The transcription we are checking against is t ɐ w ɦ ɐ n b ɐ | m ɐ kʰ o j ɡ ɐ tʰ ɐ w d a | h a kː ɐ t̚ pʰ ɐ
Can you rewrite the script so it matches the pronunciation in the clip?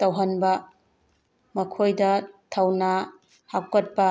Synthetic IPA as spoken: t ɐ w ɦ ɐ n b ɐ | m ɐ kʰ o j d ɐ tʰ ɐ w n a | h a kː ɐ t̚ p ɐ